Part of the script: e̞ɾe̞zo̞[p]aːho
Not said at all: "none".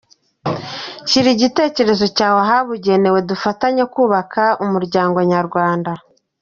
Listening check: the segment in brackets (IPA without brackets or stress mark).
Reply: c